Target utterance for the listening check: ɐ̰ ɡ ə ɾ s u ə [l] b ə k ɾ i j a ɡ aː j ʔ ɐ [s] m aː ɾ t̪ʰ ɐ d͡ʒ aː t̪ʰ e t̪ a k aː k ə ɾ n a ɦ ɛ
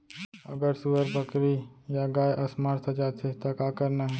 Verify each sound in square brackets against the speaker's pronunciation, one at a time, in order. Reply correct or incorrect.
incorrect, correct

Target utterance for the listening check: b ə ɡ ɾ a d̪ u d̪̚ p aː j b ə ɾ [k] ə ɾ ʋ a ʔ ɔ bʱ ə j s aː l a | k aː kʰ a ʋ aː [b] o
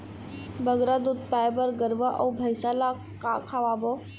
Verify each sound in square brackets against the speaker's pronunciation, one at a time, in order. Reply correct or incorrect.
incorrect, correct

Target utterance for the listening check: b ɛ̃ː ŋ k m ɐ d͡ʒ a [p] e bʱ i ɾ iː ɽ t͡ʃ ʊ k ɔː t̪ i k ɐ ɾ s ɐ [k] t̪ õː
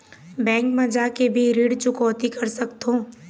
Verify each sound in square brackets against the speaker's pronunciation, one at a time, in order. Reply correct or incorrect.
incorrect, correct

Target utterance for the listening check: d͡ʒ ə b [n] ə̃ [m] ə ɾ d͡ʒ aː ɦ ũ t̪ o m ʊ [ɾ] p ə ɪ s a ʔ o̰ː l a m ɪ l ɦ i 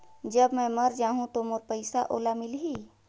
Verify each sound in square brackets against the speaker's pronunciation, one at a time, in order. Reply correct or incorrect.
incorrect, correct, correct

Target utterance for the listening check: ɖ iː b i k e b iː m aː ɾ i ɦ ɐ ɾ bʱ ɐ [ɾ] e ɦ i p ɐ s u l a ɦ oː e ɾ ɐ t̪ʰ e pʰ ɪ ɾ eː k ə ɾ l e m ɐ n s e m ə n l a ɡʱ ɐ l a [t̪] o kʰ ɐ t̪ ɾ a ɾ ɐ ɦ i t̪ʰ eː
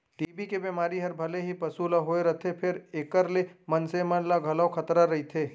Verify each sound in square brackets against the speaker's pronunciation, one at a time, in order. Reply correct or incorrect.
incorrect, incorrect

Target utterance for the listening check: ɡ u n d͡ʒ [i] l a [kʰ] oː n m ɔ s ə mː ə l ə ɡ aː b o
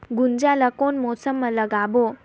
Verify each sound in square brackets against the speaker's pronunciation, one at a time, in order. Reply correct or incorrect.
incorrect, incorrect

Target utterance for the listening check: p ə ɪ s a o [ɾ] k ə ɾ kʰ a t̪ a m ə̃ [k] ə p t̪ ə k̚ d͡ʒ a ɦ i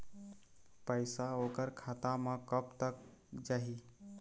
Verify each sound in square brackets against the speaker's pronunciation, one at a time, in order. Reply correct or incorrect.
incorrect, correct

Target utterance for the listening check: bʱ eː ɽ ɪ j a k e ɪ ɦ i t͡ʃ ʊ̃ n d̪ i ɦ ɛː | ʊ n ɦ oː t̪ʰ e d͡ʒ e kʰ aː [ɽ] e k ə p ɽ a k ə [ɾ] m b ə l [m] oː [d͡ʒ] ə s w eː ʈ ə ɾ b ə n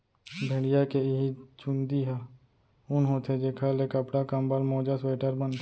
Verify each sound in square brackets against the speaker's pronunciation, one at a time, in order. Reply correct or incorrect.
incorrect, incorrect, correct, correct

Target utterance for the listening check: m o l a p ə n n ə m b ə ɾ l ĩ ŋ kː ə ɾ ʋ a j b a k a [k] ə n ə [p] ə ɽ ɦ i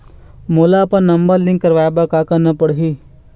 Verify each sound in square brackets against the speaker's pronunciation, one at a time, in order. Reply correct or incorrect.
correct, correct

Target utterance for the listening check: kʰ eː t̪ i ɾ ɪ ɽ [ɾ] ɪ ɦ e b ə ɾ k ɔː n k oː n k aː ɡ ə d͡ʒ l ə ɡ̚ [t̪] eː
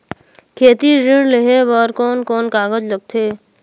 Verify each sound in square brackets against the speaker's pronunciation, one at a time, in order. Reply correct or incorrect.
incorrect, incorrect

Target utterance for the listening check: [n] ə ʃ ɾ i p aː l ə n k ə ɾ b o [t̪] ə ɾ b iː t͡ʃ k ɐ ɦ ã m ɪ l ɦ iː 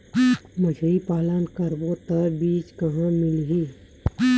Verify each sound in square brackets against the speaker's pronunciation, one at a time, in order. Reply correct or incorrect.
incorrect, correct

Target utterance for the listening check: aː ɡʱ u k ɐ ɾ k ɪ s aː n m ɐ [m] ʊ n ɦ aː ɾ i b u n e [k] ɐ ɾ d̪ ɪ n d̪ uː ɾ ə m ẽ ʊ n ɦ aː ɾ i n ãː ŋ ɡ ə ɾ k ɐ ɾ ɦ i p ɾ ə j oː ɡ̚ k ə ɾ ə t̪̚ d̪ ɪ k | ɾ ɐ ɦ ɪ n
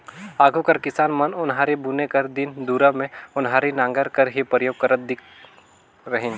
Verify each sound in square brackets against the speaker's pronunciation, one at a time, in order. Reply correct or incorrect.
incorrect, correct

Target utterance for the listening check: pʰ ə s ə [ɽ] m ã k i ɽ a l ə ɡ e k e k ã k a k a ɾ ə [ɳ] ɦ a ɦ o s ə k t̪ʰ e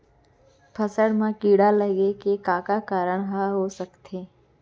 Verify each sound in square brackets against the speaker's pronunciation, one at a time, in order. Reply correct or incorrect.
correct, correct

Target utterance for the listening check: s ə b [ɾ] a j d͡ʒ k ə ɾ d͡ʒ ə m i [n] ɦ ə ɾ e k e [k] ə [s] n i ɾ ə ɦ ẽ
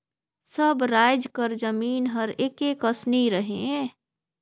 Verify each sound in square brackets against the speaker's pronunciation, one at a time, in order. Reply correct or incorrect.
correct, correct, correct, correct

